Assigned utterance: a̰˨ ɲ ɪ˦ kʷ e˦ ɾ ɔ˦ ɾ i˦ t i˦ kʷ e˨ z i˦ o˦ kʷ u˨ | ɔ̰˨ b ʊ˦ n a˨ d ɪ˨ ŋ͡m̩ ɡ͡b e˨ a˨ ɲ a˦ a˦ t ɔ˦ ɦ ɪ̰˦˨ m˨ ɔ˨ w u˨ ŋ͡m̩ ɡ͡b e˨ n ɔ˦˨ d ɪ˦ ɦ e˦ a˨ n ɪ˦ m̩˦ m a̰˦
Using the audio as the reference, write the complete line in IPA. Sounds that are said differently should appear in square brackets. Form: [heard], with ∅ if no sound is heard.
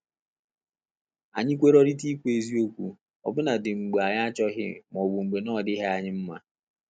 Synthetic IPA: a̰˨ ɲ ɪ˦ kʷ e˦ ɾ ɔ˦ ɾ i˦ t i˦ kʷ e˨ z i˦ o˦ kʷ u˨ | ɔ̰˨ b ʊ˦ n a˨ d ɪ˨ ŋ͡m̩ ɡ͡b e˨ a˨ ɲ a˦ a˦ [t͡ʃ] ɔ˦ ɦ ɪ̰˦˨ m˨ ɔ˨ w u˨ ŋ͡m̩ ɡ͡b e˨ n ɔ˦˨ d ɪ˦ ɦ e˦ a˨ [ɲ] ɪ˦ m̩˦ m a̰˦

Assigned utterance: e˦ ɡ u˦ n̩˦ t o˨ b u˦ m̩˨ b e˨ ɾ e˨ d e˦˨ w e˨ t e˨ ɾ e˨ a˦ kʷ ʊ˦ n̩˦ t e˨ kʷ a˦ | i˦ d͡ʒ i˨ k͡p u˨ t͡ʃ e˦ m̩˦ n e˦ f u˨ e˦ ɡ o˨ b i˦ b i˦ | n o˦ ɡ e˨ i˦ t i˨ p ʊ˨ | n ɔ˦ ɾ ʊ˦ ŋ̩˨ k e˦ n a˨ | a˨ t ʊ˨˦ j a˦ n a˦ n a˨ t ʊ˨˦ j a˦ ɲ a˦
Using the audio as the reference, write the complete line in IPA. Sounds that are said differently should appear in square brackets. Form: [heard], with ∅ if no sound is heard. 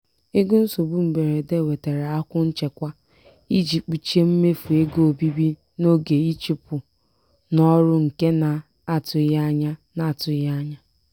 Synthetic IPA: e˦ ɡ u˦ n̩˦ [s] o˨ b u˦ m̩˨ b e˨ ɾ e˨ d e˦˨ w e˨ t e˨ ɾ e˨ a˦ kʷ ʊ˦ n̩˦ [t͡ʃ] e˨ kʷ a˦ | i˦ d͡ʒ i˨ k͡p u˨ t͡ʃ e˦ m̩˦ [m] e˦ f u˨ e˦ ɡ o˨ b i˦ b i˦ | n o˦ ɡ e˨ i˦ [t͡ʃ] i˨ p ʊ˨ | n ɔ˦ ɾ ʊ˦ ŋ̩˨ k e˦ n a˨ | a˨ t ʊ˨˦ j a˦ [ɲ] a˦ n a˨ t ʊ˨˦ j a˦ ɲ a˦

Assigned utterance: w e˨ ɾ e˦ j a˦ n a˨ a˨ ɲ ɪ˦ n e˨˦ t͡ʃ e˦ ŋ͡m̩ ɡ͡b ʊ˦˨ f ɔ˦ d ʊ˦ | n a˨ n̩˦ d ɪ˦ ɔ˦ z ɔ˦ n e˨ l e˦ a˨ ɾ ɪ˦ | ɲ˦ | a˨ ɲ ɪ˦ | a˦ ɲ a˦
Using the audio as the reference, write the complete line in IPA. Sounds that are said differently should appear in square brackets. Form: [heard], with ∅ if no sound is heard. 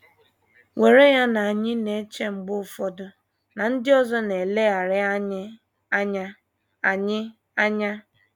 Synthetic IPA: w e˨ ɾ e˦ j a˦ n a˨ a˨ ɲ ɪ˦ n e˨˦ t͡ʃ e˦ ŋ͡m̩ ɡ͡b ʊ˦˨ f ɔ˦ d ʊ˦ | n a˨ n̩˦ d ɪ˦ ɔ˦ z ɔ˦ n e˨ l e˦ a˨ ɾ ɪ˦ | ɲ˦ | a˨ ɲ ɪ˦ | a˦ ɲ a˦

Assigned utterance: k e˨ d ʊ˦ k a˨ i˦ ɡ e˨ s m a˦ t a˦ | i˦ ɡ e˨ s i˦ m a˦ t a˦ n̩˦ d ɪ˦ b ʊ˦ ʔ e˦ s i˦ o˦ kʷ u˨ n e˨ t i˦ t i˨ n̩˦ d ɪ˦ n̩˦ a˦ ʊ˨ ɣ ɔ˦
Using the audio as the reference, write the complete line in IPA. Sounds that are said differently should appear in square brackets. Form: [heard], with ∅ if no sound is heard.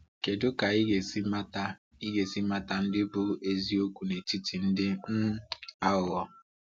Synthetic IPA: k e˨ d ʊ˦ k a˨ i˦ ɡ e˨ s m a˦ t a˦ | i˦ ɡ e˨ s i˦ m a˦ t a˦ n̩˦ d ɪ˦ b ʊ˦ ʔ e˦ [z] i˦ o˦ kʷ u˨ n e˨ t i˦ t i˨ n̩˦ d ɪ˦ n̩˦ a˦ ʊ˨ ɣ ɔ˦

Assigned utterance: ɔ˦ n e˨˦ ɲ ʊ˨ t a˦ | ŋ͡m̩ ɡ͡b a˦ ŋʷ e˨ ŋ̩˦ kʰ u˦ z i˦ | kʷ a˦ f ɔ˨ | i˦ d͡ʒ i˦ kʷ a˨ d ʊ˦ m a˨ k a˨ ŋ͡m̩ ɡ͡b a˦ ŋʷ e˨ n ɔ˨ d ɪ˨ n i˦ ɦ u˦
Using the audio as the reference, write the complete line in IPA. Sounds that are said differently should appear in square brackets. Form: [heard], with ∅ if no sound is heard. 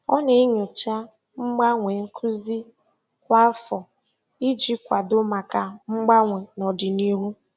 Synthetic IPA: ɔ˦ n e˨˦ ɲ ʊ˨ [t͡ʃ] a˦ | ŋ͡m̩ ɡ͡b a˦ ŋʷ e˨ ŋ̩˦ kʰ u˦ z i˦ | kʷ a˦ f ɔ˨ | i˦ d͡ʒ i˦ kʷ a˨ d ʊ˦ m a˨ k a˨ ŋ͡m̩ ɡ͡b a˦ ŋʷ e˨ n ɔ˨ d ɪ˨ n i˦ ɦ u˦

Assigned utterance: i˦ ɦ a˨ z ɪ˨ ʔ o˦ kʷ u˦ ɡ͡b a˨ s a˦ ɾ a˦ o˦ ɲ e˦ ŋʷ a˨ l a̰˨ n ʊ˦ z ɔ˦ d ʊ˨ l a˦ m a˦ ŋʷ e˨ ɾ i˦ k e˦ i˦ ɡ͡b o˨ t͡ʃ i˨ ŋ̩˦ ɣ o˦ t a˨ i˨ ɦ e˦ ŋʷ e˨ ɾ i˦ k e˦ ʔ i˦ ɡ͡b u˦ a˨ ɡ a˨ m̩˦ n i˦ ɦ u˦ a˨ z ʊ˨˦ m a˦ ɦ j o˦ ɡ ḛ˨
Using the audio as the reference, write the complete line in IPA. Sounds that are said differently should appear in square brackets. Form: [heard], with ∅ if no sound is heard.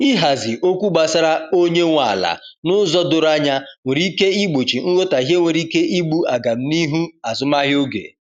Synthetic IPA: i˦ ɦ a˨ z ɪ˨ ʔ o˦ kʷ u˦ ɡ͡b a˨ s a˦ ɾ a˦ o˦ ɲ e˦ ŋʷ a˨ l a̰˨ n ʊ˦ z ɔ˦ d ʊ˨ [ɾ] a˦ [ɲ] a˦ ŋʷ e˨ ɾ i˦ k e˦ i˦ ɡ͡b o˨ t͡ʃ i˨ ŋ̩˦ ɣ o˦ t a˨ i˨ ɦ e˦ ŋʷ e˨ ɾ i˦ k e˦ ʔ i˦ ɡ͡b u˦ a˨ ɡ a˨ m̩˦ n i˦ ɦ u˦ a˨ z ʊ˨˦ m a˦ ɦ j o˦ ɡ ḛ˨

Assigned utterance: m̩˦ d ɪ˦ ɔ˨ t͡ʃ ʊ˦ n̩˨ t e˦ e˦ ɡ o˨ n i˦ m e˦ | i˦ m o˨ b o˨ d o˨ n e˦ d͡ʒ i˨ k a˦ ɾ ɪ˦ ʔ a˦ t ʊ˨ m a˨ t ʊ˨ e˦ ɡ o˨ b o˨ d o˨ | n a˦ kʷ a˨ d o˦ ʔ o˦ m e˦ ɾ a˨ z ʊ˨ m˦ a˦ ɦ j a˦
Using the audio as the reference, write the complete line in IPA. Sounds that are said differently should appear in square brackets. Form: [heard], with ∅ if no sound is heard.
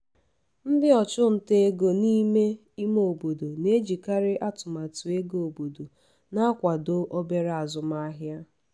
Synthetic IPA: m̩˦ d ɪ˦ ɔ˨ t͡ʃ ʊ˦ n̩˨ t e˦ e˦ ɡ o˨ n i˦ m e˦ | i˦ m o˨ b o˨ d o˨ n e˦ d͡ʒ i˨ k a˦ ɾ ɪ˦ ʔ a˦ t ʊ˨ m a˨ t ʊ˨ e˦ ɡ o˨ b o˨ d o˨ | n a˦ kʷ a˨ d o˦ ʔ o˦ [b] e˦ ɾ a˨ z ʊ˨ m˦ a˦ ɦ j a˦

